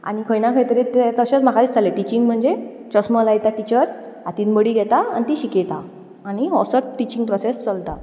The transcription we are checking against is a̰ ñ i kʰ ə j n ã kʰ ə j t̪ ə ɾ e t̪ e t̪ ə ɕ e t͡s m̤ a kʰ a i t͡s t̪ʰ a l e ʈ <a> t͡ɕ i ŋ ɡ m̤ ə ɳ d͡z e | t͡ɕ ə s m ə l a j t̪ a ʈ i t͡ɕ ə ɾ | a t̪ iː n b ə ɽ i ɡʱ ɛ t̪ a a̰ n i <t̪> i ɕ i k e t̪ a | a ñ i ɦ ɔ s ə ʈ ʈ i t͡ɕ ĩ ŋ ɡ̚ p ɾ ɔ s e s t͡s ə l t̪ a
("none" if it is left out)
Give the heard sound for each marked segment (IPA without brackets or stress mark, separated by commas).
i, t̪